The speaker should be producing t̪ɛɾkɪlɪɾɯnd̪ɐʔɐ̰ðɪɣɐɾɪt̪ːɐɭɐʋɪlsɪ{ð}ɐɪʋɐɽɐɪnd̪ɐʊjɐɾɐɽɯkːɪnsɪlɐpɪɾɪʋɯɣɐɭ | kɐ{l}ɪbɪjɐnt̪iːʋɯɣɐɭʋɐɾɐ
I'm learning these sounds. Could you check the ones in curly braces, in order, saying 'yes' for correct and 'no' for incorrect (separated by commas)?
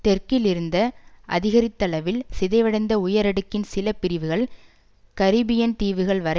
yes, no